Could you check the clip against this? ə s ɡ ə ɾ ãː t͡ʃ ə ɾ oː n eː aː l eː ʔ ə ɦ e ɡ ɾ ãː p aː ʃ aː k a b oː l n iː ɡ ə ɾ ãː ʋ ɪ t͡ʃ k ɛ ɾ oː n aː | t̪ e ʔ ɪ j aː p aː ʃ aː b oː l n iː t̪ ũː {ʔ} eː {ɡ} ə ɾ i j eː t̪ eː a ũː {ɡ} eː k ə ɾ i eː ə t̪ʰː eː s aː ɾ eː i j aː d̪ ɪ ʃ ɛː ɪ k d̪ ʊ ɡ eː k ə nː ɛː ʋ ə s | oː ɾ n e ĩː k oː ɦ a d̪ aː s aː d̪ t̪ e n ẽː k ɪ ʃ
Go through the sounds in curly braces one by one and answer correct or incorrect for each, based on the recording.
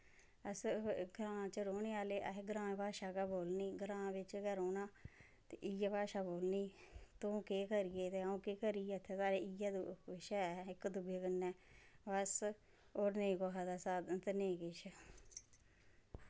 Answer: incorrect, incorrect, incorrect

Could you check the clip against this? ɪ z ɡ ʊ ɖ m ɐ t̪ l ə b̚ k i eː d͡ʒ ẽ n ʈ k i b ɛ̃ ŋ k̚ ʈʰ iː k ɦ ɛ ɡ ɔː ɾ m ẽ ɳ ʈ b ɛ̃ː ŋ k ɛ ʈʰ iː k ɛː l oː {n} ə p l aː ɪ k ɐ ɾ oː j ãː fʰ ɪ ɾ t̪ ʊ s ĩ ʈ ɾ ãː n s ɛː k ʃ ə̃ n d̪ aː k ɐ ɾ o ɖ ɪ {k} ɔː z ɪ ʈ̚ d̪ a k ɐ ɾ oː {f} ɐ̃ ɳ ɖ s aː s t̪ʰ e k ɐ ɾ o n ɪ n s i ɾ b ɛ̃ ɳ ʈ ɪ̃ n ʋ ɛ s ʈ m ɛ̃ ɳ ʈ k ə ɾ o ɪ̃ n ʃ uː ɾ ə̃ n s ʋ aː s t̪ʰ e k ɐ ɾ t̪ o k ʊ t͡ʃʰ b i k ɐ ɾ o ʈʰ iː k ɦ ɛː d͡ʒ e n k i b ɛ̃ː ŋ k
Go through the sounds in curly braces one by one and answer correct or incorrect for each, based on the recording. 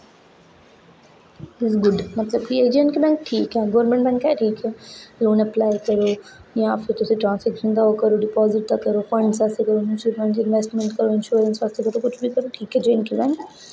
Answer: correct, incorrect, correct

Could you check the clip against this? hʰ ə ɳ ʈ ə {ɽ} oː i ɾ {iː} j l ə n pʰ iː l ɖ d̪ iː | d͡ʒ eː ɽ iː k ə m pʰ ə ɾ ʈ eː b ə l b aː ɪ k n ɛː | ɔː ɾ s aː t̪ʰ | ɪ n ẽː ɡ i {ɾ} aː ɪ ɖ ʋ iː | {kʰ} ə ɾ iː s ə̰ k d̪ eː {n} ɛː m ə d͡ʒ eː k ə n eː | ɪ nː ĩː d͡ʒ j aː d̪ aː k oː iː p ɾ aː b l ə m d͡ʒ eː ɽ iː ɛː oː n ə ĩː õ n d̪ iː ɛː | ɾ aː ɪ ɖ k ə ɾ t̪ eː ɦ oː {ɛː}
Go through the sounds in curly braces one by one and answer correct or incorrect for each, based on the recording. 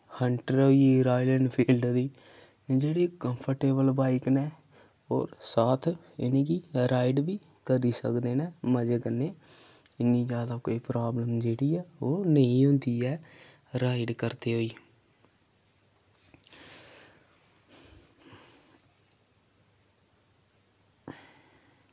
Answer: incorrect, incorrect, correct, incorrect, correct, incorrect

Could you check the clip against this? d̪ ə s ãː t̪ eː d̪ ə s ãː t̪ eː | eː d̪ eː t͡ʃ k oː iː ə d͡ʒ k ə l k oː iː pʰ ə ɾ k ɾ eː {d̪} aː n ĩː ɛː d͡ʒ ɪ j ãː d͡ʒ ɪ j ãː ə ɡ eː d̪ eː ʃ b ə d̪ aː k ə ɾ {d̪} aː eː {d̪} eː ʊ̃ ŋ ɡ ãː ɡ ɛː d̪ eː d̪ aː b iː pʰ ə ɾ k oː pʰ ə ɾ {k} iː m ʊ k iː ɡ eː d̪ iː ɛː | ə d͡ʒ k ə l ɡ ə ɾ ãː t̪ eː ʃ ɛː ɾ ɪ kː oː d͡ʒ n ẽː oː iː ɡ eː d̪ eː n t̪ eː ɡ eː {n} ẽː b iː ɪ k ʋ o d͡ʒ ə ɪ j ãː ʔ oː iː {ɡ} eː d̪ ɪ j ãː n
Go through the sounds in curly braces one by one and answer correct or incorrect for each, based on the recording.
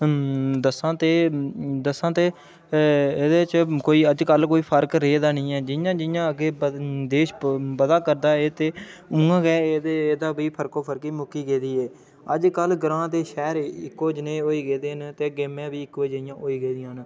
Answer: correct, correct, incorrect, correct, incorrect, correct

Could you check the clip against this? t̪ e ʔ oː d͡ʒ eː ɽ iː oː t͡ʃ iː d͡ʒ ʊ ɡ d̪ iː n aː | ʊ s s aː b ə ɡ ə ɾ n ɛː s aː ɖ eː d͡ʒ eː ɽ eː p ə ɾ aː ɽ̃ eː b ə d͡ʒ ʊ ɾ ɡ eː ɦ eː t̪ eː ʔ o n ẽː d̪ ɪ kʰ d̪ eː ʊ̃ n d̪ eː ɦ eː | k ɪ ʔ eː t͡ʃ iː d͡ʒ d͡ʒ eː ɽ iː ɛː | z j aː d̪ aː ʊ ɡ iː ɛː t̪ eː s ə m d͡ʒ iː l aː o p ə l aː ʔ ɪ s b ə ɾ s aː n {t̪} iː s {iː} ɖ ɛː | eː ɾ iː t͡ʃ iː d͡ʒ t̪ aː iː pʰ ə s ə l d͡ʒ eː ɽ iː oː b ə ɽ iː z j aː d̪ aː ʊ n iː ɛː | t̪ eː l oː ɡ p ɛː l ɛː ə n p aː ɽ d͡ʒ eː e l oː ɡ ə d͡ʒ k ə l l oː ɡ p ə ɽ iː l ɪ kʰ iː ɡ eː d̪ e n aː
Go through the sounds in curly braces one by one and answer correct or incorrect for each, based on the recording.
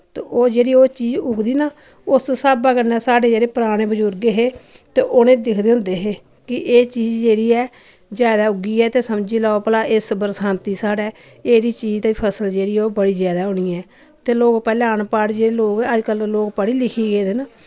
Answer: correct, incorrect

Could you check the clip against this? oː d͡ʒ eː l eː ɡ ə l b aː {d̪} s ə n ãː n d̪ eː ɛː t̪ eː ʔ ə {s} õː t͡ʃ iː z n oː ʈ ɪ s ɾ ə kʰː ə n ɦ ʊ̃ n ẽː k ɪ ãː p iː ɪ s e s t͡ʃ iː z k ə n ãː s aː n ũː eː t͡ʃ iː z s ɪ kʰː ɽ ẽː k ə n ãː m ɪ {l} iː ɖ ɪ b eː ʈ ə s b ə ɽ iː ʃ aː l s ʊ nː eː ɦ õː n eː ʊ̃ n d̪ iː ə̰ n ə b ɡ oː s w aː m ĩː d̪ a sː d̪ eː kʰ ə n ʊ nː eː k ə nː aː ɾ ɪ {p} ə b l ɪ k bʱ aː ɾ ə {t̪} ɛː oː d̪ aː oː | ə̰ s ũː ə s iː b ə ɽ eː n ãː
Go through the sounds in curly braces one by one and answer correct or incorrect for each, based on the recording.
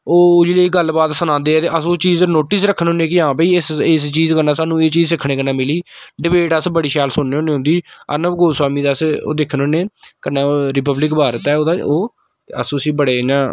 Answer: incorrect, correct, correct, correct, correct

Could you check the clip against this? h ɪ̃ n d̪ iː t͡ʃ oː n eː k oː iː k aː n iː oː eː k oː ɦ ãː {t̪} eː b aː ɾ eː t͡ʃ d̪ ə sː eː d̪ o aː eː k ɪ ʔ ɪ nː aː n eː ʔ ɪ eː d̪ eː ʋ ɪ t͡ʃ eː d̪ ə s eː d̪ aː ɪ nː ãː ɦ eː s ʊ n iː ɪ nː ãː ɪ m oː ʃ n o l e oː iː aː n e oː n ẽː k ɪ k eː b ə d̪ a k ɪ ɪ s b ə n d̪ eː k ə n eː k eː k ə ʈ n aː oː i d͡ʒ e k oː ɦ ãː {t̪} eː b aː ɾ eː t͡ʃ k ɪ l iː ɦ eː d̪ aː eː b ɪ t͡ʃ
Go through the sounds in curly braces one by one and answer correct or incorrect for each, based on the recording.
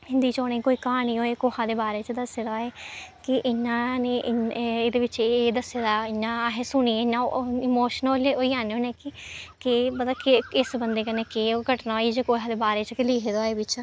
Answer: incorrect, incorrect

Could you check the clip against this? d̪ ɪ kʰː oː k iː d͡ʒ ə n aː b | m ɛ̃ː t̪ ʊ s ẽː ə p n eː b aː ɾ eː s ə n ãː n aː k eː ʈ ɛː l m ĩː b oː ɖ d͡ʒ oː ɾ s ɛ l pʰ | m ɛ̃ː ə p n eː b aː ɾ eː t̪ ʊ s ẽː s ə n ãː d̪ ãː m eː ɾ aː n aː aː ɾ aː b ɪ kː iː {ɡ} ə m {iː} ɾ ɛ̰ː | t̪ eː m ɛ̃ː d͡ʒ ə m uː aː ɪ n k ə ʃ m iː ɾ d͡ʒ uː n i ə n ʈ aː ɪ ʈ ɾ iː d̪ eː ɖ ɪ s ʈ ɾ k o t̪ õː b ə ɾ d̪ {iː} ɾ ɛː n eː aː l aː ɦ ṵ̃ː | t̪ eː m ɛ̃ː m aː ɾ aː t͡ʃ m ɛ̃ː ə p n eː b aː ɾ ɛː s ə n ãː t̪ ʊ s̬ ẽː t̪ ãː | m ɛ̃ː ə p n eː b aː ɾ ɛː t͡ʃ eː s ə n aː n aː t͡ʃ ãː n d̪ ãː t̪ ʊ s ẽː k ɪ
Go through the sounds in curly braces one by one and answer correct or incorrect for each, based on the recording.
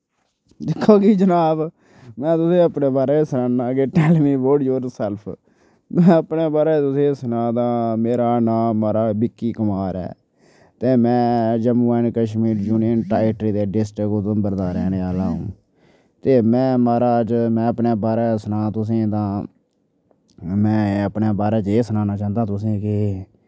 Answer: incorrect, incorrect, incorrect

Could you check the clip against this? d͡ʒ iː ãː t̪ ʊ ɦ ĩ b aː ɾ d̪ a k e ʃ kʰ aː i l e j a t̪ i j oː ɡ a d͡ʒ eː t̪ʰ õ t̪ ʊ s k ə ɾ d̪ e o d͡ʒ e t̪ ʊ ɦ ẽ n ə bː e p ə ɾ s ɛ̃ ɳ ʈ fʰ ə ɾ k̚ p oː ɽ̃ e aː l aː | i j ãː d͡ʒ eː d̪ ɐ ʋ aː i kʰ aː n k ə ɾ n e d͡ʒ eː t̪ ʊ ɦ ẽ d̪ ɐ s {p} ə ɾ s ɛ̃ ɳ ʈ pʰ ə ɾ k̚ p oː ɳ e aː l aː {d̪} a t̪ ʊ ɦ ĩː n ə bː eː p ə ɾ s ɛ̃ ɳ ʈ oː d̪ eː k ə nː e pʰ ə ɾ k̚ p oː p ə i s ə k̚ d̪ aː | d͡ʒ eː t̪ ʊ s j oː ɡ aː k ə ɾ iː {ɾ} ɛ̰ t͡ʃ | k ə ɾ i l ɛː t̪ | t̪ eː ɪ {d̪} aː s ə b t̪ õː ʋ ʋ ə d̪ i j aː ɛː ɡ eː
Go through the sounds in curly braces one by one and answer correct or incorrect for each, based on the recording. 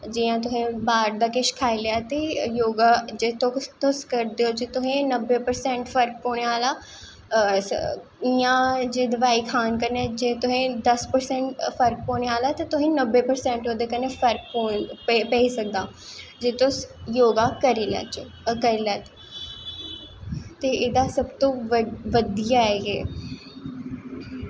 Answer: correct, incorrect, incorrect, correct

